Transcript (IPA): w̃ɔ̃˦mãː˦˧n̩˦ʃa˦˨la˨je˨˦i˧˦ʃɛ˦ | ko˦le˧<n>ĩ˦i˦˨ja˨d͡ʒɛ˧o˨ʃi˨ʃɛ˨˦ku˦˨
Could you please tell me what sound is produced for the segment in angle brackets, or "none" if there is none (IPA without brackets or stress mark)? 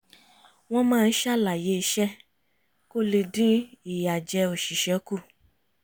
d